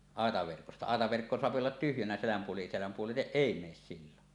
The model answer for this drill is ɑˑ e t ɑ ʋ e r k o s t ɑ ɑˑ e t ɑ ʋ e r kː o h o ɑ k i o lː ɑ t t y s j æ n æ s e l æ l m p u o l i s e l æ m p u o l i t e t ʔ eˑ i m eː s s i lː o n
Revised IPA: ɑˑ e t ɑ ʋ e r k o s t ɑ ɑˑ e t ɑ ʋ e r kː o s o ɑ p i o lː ɑ t t y h j æ n æ s e l æ m p u o l i s e l æ m p u o l i t e ʔ ʔ eˑ i m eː s s i lː o n

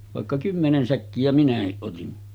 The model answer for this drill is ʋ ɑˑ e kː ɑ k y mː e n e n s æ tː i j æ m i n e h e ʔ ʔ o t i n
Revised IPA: ʋ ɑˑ e kː ɑ k y mː e n e n s æ kː i j æ m i n æ h i ʔ ʔ o t i n

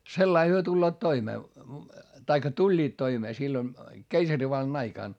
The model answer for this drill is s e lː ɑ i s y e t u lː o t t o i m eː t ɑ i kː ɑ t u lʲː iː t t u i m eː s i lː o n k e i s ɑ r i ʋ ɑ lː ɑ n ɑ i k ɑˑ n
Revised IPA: s e lː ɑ i h y ø t u lː oː t t o i m eː t ɑ i kː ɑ t u lʲː iː t t o i m eː s i lː o n k e i s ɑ r i ʋ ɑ lː ɑ n ɑ i k ɑˑ n

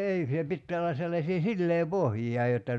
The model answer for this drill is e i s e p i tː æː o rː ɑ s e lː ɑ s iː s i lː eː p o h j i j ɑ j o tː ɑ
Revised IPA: e i s e p i tː æː o lː ɑ s e lː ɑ s iː s i lː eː p o h j i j ɑ j o tː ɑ

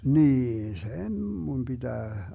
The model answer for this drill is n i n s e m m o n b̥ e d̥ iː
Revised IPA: n iː n s e n m u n b̥ i d̥ æː

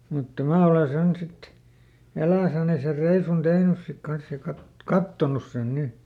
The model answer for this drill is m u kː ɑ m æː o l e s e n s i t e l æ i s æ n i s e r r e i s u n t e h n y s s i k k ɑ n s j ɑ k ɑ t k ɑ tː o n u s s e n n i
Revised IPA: m u tː ɑ m æː o l e s e n s i t e l æ i s æ n i s e r r e i s u n t e h n y s s i k k ɑ n s j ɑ k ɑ t k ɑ tː o n u s s e n n i

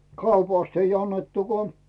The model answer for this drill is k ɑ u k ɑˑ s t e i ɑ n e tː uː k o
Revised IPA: k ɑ u p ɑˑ s t e i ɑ nː e tː u k o

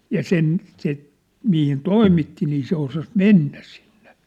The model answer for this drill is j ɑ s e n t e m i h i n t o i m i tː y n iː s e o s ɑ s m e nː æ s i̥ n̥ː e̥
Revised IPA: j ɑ s e n s e m i h i n t o i m i tː i n iː s e o s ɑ s m e nː æ s i̥ n̥ː e̥

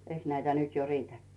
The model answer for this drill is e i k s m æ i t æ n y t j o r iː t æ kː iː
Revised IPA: e i k s n æ i t æ n y t j o r iː t æ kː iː

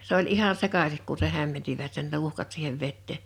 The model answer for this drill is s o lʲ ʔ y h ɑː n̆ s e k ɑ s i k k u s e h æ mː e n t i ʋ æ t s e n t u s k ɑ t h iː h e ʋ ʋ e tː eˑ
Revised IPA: s o lʲ ʔ i h ɑ n̆ s e k ɑ s i k k u s e h æ mː e n t i ʋ æ t s e n t u h k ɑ t s iː h e ʋ ʋ e tː eˑ

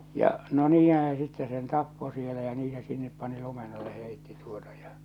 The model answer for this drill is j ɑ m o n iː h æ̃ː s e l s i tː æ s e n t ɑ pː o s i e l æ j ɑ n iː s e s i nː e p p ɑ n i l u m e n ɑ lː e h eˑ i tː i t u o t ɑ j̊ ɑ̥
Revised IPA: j ɑ n o n iː h æ̃ː s e s i tː e s e n t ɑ pː o s i e l æ j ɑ n iː s e s i nː e p p ɑ n i l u m e n ɑ lː e h eˑ i tː i t u o t ɑ j̊ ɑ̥

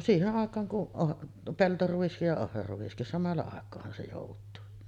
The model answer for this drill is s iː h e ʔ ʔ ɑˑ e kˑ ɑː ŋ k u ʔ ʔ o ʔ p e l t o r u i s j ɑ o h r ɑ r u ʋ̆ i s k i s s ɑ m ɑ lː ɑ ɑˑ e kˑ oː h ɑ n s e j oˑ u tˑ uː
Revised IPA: s iː h e ʔ ʔ ɑˑ e kˑ ɑː ŋ k u ʔ ʔ o ʔ p e l t o r u i s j ɑ o h r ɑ r u ʋ̆ i s k i s s ɑ m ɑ lː ɑ ɑˑ e kˑ oː h ɑ n s e j oˑ u tˑ uː

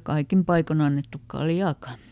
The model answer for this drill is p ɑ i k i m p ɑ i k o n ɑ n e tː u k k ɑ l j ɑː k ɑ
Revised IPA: k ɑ i k i m p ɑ i k o n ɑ nː e tː u k k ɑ l j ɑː k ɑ

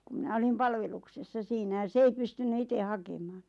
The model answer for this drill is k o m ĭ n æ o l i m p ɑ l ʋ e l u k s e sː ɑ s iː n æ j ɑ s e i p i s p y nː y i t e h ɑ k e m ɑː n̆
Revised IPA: k u m ĭ n æ o l i m p ɑ l ʋ e l u k s e sː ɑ s iː n æ j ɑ s e i p y s t y nː y i t e h ɑ k e m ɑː n̆

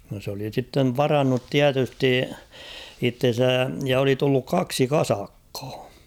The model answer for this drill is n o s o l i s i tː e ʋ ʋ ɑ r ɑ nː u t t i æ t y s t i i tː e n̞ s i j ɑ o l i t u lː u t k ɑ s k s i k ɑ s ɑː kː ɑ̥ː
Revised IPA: n o s o l i s i tː e ʋ ʋ ɑ r ɑ nː u t t i æ t y s t i i tː e n̞ s æ j ɑ o l i t u lː u k k ɑ k s i k ɑ s ɑ kː ɑ̥ː

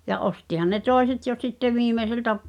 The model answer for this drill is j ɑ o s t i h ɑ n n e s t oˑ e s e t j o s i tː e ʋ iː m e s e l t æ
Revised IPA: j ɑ o s t i h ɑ n n e t oˑ e s e t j o s i tː e ʋ iː m e s e l t æ

